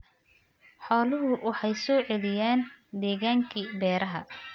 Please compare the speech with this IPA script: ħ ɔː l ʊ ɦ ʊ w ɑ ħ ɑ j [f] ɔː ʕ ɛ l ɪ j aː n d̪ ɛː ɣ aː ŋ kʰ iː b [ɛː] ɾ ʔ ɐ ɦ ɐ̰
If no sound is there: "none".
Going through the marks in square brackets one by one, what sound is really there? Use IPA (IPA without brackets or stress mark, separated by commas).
s, ɛː